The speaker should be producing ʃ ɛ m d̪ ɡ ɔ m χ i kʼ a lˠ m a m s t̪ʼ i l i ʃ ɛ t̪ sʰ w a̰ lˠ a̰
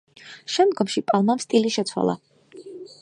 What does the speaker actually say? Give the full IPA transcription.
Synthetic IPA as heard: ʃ ɛ m d̪ ɡ ɔ m ʃ i pʼ a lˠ m a m s t̪ʼ i l i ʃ ɛ t̪ sʰ w a̰ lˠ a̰